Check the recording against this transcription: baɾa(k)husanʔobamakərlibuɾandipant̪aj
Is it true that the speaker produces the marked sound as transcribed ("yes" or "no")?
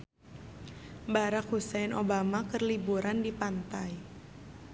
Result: yes